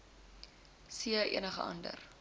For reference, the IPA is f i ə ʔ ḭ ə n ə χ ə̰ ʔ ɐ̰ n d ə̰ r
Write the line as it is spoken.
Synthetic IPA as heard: s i ə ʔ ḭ ə n ə χ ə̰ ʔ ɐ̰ n d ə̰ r

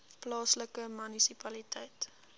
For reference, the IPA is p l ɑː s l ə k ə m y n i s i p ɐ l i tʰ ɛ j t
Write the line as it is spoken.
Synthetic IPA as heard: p l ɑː s l ə k ə m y n i s i p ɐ l i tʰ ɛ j t

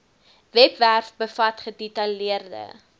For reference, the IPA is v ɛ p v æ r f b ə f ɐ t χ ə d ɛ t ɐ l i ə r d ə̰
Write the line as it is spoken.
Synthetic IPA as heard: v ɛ p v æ r f b ə f ɐ t χ ə d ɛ t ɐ l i ə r d ə̰

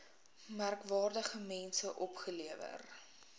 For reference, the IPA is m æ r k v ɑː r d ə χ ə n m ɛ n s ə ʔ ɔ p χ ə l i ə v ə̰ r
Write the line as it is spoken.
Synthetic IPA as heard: m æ r k v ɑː r d ə χ ə m ɛ n s ə ʔ ɔ p χ ə l i ə v ə̰ r

